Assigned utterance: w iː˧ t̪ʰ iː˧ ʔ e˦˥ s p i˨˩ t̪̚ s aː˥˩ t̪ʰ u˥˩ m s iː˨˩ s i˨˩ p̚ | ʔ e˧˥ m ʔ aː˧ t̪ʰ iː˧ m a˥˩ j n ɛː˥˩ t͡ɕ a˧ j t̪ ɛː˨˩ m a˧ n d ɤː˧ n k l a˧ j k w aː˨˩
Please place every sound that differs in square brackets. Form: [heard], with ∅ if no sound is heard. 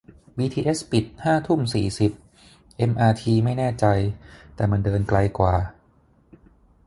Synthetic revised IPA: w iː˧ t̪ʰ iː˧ ʔ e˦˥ s p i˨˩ t̪̚ [h] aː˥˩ t̪ʰ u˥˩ m s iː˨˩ s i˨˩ p̚ | ʔ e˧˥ m ʔ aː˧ t̪ʰ iː˧ m a˥˩ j n ɛː˥˩ t͡ɕ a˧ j t̪ ɛː˨˩ m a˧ n d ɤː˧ n k l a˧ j k w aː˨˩